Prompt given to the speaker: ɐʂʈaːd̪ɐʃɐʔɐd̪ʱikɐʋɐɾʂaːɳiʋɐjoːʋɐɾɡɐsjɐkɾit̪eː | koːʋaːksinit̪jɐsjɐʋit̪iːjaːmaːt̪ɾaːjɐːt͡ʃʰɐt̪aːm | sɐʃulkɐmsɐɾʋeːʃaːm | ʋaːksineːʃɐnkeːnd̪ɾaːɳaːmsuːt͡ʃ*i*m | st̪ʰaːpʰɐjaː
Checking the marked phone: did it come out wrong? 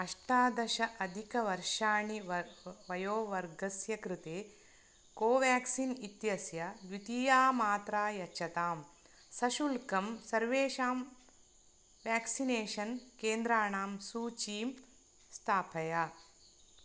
yes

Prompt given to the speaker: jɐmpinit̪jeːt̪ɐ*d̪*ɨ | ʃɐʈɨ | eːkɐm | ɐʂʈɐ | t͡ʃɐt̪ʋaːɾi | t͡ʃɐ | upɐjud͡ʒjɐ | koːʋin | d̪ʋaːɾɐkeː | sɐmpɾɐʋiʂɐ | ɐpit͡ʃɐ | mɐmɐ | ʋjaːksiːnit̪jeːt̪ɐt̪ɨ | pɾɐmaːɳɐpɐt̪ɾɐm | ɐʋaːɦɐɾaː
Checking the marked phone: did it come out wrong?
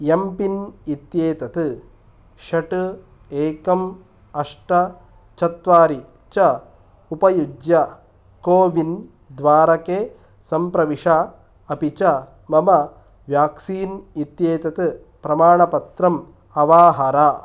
yes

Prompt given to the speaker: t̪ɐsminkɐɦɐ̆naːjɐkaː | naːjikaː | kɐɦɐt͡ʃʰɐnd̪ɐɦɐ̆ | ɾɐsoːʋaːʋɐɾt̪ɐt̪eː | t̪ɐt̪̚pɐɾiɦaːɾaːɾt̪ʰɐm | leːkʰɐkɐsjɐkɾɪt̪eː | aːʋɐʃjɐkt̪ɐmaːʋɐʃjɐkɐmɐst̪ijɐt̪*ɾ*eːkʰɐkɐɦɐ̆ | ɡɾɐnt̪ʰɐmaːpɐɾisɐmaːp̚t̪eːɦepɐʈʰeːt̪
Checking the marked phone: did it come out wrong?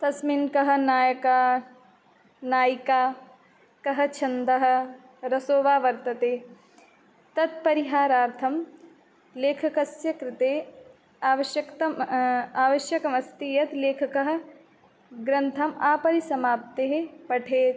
yes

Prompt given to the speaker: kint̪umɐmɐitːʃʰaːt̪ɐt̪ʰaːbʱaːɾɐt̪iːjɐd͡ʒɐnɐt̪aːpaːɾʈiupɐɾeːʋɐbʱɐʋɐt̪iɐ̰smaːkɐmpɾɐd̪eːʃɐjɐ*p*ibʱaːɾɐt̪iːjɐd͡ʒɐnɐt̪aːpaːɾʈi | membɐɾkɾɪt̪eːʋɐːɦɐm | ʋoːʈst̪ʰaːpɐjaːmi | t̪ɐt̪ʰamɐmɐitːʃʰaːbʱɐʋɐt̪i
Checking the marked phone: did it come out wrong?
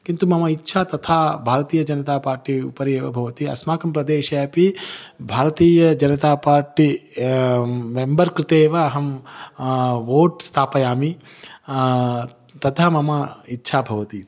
no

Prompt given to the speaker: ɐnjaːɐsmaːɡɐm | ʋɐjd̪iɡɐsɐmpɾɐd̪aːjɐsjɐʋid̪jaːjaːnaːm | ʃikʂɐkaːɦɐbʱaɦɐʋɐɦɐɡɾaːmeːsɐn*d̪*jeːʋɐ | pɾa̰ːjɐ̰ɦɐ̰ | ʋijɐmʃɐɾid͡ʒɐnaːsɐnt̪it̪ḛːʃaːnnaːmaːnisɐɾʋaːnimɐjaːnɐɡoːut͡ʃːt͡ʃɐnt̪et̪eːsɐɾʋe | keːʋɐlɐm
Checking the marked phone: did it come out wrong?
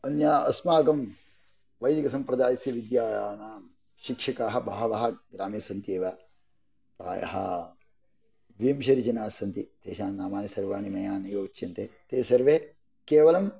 yes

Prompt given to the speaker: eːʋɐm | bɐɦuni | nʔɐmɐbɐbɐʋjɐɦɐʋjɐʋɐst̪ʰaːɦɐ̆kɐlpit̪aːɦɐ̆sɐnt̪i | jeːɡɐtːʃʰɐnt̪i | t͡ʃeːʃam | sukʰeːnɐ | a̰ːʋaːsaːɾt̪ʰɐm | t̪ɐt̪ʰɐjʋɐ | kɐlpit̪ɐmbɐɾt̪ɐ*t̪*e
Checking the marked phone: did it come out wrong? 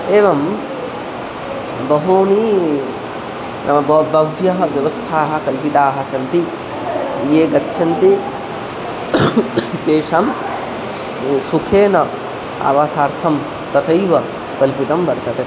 no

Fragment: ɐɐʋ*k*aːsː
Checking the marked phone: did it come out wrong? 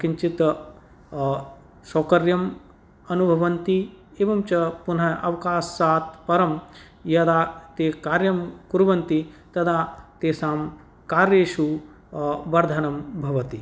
no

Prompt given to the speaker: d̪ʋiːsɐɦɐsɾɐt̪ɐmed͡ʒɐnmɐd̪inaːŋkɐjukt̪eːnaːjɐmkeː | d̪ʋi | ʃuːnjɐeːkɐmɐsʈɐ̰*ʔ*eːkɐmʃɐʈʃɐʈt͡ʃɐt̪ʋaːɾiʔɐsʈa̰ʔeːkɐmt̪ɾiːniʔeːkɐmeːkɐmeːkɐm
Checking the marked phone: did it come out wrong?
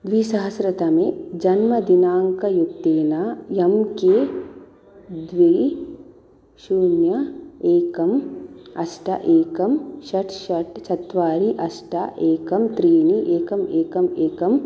no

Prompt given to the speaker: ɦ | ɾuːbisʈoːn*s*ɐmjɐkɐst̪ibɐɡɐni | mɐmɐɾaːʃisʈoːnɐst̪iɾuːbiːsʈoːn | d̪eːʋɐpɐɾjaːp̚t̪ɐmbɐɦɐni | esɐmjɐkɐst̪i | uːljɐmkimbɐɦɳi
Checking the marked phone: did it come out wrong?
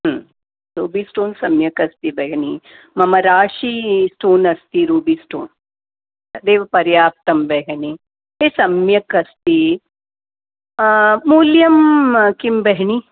no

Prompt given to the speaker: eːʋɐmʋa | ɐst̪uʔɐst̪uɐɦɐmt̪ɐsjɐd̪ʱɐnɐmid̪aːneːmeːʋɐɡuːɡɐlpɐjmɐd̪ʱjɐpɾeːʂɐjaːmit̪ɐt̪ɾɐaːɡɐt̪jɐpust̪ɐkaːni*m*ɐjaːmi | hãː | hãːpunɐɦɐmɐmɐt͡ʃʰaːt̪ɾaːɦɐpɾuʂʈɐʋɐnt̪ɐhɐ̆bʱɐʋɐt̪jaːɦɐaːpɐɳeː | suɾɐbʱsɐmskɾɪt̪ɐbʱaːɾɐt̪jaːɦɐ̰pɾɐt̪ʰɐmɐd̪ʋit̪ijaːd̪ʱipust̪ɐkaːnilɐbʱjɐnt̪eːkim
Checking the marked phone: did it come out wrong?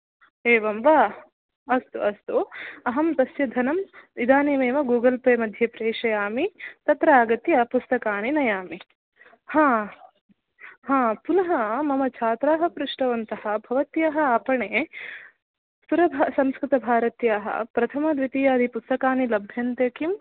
yes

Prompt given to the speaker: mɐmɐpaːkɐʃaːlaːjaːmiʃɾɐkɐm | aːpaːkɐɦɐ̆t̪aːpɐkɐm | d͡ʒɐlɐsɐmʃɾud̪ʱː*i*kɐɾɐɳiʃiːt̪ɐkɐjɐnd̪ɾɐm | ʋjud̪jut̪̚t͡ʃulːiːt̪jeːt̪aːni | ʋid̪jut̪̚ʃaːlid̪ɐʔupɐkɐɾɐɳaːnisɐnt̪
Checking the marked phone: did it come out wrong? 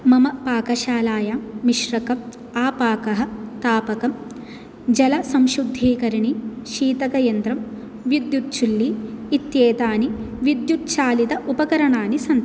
yes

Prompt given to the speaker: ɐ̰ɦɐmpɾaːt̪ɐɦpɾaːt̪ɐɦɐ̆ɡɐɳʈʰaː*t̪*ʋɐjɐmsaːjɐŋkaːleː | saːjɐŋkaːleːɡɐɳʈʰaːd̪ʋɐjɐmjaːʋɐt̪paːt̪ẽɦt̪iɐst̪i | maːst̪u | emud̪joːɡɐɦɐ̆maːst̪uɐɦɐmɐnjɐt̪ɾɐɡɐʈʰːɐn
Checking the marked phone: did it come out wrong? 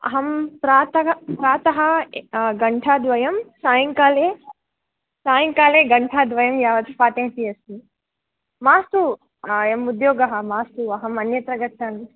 yes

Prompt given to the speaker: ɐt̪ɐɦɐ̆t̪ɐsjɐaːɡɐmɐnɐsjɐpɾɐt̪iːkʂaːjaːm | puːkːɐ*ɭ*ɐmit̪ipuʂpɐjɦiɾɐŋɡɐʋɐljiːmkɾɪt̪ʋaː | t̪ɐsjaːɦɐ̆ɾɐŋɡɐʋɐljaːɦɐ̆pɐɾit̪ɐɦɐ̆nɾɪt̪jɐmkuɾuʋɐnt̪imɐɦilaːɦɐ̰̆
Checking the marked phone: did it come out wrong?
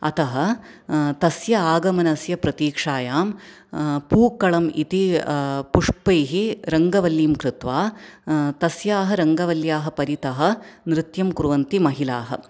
no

